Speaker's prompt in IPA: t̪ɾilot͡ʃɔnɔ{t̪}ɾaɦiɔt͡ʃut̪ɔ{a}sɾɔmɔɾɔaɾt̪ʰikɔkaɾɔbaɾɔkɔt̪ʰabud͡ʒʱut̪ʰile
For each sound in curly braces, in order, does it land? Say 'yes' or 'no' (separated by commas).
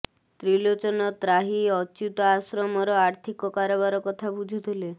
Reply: yes, yes